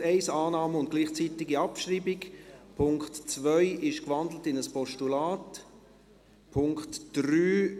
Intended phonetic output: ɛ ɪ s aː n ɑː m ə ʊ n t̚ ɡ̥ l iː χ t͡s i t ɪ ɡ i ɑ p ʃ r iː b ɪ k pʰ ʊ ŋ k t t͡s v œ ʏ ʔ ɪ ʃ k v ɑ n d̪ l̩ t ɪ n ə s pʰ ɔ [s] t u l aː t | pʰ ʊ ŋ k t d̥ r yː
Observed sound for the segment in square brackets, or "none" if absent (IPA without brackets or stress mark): ʃ